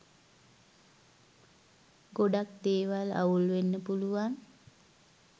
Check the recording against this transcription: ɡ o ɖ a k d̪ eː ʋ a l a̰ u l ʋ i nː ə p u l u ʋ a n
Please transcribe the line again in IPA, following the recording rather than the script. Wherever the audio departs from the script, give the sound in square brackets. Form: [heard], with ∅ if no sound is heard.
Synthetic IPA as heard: ɡ o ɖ a k d̪ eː ʋ a l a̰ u l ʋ [e] nː ə p u l u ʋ a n